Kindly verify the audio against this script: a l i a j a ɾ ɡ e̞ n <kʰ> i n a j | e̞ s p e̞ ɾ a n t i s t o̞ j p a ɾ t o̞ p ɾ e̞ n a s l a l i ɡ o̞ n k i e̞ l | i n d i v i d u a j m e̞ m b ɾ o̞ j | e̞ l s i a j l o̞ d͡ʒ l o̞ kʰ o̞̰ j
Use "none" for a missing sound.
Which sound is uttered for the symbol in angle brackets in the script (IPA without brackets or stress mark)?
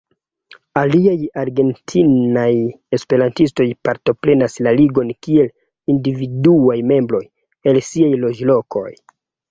tʰ